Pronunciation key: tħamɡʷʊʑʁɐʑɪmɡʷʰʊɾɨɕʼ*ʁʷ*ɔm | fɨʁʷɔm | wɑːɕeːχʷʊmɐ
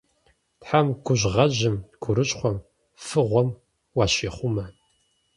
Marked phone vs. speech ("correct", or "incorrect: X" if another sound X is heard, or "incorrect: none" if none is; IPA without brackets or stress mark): incorrect: χʷ